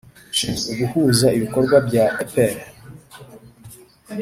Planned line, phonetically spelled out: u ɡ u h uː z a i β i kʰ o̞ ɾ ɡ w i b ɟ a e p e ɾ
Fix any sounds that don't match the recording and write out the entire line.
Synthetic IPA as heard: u ɡ u h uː z a i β i k o̞ ɾ ɡ w a b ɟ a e p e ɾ